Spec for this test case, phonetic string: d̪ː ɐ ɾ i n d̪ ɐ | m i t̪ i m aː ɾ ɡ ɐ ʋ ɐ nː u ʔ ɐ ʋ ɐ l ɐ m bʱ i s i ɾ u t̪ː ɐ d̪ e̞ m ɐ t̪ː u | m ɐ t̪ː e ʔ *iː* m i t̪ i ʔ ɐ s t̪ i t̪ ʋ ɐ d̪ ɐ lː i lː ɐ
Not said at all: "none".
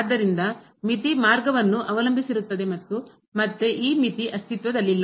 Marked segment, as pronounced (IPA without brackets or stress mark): iː